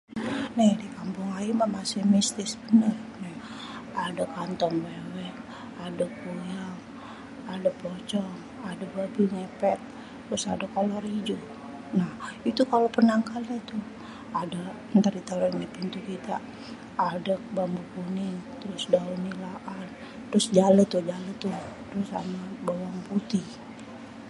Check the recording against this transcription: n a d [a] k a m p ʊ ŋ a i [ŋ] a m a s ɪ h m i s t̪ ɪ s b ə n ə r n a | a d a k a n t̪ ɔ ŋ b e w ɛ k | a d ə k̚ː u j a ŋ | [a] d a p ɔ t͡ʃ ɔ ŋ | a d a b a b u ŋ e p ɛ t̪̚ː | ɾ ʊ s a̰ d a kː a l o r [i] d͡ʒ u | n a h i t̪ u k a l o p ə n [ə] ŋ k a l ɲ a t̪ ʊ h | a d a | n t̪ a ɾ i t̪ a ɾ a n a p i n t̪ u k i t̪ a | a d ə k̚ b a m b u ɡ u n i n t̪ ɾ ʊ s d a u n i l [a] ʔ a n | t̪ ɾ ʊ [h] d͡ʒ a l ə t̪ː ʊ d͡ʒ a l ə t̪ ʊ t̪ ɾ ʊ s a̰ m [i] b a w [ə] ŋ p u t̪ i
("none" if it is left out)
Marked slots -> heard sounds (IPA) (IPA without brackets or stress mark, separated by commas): i, m, a, i, a, a, s, a, a